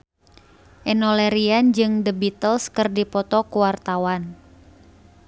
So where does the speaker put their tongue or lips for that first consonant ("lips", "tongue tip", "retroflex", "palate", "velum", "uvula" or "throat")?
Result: throat